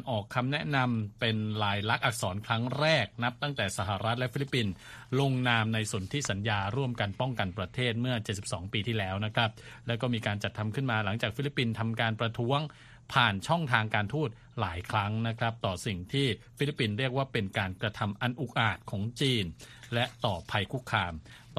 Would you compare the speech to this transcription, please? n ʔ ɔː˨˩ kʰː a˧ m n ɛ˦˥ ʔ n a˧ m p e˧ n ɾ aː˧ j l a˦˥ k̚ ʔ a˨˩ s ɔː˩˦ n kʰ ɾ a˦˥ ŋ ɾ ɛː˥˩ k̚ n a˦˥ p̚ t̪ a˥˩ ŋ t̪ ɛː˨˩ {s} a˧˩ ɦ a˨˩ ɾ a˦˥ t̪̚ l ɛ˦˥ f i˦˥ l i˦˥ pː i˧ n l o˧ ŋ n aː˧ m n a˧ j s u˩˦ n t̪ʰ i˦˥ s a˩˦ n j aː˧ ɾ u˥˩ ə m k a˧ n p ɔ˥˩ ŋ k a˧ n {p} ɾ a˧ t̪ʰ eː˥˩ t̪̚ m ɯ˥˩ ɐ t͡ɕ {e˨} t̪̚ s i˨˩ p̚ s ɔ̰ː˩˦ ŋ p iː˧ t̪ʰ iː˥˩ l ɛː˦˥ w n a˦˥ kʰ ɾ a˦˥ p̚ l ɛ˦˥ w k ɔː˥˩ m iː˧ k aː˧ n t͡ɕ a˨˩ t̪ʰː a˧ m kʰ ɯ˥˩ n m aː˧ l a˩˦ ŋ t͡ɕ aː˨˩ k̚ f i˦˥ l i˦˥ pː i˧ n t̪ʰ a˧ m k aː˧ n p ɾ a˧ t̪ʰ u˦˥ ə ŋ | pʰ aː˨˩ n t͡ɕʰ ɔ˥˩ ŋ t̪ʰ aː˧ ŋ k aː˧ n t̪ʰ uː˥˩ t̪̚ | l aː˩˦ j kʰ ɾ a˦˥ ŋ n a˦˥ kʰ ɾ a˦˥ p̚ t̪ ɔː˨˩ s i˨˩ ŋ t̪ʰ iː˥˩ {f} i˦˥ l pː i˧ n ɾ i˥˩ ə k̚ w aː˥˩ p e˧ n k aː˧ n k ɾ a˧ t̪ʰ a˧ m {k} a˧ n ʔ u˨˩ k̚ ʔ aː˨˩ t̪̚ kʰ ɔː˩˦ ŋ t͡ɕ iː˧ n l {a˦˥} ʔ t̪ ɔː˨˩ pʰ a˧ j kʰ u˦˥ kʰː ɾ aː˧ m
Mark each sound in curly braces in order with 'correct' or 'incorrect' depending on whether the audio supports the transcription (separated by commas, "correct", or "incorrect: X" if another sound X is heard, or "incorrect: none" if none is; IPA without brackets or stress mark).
correct, correct, correct, correct, incorrect: ʔ, incorrect: ɛ˦˥